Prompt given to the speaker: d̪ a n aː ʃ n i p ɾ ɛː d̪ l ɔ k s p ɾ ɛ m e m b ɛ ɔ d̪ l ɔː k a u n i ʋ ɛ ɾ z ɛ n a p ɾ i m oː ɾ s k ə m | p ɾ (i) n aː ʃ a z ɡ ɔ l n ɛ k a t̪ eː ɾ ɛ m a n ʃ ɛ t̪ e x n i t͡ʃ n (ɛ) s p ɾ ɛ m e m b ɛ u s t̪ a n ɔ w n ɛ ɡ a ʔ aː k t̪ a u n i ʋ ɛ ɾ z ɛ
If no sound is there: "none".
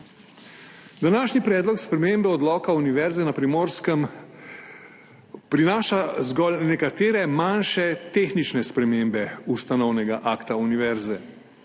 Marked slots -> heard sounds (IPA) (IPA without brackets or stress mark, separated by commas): i, ɛ